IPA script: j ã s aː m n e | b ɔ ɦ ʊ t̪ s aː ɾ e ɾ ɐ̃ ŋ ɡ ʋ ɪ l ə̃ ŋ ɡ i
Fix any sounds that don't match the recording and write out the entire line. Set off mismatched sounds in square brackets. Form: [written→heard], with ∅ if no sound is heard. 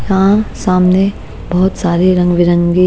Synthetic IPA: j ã s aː m n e | b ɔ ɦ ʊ t̪ s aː ɾ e ɾ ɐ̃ ŋ ɡ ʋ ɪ [l→ɾ] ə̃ ŋ ɡ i